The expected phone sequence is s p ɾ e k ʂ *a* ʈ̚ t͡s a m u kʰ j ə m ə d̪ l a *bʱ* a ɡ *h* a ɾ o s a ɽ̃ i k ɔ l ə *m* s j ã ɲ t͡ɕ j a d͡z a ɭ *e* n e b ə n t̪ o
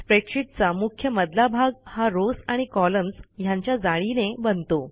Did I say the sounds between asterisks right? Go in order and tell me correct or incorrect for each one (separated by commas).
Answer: incorrect, correct, correct, correct, incorrect